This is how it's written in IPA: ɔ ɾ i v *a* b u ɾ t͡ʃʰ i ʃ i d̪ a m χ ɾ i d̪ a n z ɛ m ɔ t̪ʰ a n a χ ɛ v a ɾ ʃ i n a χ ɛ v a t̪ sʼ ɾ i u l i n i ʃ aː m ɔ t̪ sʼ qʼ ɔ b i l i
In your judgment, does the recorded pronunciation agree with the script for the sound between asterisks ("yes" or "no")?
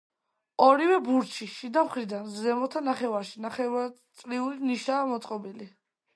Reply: no